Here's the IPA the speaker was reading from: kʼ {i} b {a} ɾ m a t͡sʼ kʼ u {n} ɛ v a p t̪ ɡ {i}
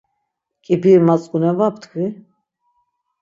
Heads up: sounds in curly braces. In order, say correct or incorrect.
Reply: correct, incorrect: i, correct, correct

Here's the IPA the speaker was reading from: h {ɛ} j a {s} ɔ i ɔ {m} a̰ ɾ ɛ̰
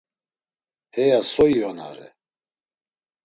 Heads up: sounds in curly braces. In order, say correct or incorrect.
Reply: correct, correct, incorrect: n

